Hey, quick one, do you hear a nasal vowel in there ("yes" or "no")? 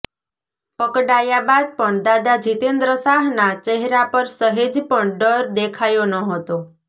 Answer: no